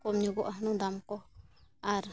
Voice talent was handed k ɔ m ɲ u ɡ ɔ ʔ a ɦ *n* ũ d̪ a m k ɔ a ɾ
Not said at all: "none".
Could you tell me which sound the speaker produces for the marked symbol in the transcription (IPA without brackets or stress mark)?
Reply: n